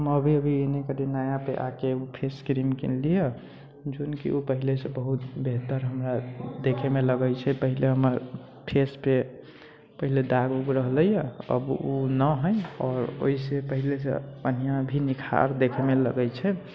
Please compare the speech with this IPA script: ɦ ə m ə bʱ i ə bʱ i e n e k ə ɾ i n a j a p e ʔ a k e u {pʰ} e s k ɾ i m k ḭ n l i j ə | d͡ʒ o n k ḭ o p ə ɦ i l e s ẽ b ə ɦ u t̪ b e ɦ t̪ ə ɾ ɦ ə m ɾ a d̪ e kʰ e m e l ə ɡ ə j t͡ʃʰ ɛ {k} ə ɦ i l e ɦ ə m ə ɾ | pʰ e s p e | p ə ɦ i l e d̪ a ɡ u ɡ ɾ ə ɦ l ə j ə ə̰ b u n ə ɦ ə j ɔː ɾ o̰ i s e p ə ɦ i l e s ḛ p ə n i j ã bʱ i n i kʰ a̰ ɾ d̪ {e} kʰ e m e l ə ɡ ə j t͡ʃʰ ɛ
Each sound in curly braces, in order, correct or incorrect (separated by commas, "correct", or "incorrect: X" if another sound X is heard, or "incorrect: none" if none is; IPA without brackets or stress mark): correct, incorrect: p, correct